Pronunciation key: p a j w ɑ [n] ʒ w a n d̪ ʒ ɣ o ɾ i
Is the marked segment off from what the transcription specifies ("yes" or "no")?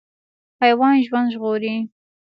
no